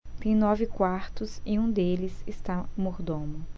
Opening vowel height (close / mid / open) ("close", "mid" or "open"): mid